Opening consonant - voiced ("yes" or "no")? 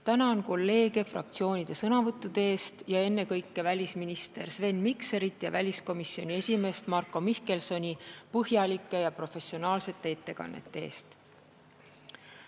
no